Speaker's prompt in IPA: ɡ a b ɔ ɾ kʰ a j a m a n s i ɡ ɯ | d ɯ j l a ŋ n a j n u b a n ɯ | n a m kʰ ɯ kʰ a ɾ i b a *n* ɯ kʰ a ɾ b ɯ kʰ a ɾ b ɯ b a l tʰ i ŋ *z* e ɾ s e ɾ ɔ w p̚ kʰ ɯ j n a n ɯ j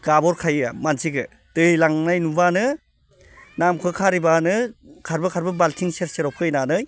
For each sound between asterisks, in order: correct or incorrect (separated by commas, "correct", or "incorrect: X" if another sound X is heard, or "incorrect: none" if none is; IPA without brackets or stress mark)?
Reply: correct, incorrect: s